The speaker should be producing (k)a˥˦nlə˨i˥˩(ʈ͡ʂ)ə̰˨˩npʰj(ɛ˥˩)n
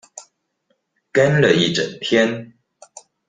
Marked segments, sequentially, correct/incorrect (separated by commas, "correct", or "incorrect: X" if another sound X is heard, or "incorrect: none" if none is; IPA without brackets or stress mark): correct, correct, incorrect: ɛ˥˦